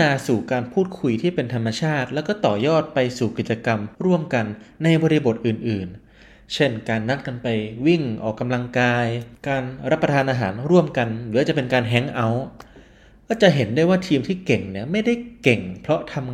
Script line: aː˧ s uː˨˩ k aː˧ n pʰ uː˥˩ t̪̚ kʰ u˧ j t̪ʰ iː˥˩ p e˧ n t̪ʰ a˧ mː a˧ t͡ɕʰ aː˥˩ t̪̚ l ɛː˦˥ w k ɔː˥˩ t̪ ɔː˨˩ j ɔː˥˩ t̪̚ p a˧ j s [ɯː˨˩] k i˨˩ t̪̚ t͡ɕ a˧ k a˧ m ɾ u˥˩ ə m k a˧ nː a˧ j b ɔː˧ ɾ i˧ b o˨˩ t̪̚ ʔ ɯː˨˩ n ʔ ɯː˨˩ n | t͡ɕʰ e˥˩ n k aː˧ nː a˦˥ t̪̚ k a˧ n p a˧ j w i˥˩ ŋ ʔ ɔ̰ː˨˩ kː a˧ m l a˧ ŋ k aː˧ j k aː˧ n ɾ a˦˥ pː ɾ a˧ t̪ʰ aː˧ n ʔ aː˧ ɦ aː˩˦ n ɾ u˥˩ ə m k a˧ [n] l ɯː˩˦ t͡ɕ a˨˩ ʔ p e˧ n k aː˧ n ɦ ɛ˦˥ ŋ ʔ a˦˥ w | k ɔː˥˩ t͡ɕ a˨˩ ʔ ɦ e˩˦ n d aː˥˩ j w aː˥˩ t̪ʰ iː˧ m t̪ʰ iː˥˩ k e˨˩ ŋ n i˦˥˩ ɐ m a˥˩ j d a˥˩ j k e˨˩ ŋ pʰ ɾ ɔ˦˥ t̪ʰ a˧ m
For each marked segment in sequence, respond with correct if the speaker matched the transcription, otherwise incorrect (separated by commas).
incorrect, correct